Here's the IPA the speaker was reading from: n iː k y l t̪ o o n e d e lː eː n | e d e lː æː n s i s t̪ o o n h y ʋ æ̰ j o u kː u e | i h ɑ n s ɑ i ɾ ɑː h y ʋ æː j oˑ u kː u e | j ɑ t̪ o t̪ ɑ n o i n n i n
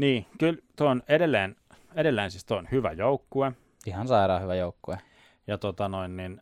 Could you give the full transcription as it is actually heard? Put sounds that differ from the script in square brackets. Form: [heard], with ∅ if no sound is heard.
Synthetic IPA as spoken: n iː k y l t̪ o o n e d e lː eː n | e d e lː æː n s i s t̪ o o n h y ʋ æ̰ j o u kː u e | i h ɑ n s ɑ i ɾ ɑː h y ʋ [æ] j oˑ u kː u e | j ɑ t̪ o t̪ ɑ n o i n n i n